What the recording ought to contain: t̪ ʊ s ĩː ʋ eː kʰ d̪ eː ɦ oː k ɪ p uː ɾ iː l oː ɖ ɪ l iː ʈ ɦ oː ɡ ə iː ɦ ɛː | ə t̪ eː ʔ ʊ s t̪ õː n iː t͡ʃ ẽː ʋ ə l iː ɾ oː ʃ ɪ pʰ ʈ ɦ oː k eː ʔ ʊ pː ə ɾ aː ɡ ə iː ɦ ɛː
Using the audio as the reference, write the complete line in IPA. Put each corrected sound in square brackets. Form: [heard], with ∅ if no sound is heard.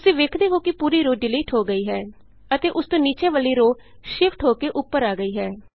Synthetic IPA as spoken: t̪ ʊ s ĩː ʋ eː kʰ d̪ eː ɦ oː k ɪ p uː ɾ iː [ɾ] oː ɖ ɪ l iː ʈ ɦ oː ɡ ə iː ɦ ɛː | ə t̪ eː ʔ ʊ s t̪ õː n iː t͡ʃ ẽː ʋ ə l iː ɾ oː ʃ ɪ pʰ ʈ ɦ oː k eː ʔ ʊ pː ə ɾ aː ɡ ə iː ɦ ɛː